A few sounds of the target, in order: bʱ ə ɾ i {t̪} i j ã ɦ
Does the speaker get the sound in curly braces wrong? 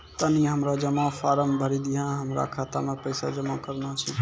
yes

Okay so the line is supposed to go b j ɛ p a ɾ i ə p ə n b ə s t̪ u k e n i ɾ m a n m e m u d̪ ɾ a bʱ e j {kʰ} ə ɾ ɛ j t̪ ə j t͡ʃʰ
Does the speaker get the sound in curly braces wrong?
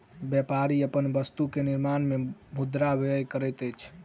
yes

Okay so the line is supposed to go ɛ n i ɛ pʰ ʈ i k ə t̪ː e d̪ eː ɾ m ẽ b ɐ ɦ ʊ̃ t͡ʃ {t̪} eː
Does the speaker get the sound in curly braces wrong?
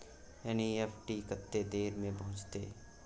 no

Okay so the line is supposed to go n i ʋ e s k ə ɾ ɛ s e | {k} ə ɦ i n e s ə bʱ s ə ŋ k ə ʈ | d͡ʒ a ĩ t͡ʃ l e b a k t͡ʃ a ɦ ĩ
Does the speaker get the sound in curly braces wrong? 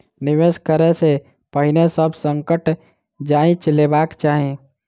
yes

